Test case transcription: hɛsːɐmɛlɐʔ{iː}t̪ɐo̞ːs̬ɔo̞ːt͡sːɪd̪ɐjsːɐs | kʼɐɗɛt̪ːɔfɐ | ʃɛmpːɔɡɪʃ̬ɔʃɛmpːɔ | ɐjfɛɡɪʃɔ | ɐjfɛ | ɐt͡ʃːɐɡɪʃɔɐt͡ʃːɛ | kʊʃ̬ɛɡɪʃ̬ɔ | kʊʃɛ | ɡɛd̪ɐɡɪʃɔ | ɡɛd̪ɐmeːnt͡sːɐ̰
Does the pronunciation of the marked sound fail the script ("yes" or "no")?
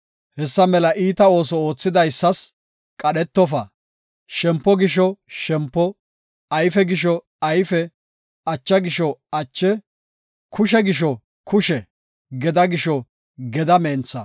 no